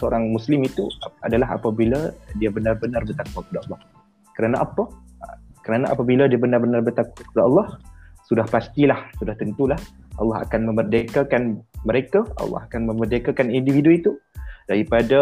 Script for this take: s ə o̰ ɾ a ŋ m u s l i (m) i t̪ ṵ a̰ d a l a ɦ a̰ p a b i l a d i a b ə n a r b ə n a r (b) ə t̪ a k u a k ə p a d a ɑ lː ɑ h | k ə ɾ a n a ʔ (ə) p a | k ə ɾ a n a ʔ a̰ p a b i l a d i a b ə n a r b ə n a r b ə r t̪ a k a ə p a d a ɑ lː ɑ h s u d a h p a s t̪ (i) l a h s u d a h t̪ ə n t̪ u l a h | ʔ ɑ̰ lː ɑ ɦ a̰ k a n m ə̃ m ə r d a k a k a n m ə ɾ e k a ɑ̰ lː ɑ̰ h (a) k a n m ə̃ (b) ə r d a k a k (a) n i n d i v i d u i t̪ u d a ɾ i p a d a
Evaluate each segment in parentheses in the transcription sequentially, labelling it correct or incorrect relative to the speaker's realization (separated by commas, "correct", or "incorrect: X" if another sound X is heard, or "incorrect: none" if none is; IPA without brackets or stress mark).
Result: correct, correct, incorrect: a, correct, correct, incorrect: m, correct